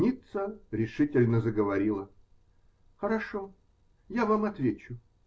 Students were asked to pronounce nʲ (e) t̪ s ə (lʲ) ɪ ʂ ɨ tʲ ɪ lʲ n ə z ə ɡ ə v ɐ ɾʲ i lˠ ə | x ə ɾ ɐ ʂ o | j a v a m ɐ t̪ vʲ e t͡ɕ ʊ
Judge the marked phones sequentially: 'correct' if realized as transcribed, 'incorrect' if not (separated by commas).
incorrect, incorrect